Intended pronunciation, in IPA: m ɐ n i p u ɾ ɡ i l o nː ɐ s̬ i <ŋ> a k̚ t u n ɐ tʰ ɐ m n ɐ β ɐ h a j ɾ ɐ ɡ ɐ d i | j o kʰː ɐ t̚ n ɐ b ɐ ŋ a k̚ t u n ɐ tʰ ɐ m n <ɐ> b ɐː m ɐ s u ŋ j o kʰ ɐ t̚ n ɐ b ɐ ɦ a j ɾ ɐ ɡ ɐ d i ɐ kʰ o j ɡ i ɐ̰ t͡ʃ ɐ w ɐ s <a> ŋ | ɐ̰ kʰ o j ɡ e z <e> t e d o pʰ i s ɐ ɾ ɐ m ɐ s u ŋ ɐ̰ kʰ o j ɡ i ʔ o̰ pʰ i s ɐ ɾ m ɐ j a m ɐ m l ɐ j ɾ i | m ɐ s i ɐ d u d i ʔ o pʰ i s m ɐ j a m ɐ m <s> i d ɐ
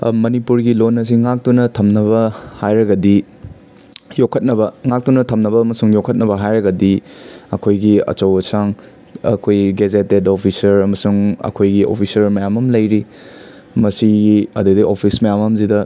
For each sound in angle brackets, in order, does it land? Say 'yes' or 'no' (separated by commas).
yes, yes, yes, yes, no